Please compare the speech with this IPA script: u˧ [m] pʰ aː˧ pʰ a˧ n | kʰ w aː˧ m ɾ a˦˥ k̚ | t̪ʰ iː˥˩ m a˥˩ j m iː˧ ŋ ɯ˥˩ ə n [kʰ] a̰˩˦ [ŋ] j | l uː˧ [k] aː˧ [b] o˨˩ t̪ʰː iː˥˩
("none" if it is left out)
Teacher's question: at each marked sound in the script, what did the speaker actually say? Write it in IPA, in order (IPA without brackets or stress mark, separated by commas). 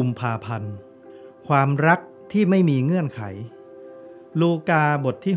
m, kʰ, none, k, b